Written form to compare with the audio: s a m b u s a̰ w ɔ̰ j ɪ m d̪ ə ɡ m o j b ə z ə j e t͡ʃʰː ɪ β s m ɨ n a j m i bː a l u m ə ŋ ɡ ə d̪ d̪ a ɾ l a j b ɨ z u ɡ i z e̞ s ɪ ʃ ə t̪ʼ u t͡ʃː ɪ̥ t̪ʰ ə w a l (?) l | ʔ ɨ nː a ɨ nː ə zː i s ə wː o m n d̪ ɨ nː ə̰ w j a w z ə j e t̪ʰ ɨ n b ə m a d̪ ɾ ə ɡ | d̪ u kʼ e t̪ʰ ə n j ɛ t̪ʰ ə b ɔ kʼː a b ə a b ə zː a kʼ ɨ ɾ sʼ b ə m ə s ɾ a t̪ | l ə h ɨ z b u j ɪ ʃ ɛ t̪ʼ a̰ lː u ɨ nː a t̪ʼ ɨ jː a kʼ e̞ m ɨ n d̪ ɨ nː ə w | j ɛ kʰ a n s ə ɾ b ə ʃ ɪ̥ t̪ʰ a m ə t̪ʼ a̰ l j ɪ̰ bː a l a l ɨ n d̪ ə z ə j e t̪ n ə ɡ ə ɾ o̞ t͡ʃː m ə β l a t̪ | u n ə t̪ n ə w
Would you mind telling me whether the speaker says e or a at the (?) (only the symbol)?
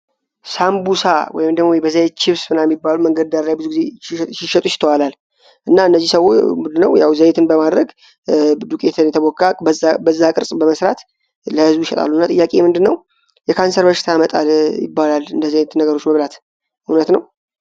a